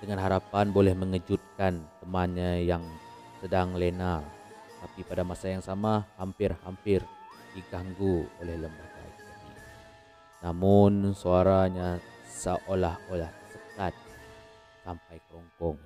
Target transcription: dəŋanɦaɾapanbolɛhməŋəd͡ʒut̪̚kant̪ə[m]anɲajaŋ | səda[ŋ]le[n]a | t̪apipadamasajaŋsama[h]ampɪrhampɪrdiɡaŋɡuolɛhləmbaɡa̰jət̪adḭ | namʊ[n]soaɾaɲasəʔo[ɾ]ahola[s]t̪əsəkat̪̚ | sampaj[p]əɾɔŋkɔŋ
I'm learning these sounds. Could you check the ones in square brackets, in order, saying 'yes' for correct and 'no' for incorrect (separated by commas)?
yes, yes, yes, yes, yes, no, no, no